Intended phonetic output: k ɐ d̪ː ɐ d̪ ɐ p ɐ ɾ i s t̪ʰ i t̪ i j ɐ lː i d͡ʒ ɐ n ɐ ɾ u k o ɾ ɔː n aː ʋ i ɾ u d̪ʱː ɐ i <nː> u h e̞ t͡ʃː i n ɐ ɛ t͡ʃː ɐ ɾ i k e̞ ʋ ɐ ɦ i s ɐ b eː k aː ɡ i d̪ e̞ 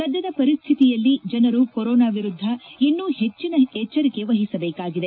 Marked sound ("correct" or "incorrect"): correct